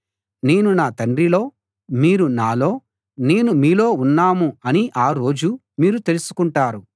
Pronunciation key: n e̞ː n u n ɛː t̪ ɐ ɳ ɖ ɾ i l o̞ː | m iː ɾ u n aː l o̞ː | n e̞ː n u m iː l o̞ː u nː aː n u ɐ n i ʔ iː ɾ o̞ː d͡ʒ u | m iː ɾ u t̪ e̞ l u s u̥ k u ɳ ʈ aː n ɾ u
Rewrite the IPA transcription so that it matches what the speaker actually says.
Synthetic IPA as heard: n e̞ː n u n aː t̪ ɐ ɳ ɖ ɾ i l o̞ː | m iː ɾ u n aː l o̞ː | n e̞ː n u m iː l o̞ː u nː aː m u ɐ n i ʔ aː ɾ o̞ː d͡ʒ u | m iː ɾ u t̪ e̞ l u s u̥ k u ɳ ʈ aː ɾ u